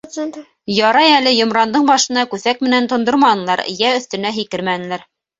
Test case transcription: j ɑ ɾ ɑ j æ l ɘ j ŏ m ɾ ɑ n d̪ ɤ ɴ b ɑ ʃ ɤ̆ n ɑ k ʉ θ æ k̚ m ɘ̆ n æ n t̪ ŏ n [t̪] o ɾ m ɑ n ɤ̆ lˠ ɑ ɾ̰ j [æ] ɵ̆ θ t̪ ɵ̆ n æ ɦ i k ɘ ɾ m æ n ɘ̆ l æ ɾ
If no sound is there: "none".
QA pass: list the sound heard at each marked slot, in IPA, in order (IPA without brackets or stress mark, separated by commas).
d̪, æ